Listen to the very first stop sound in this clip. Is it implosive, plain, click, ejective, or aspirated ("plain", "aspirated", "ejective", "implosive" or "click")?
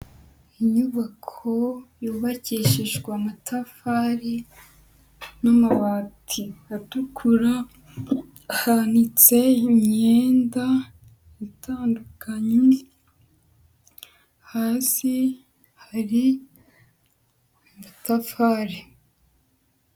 aspirated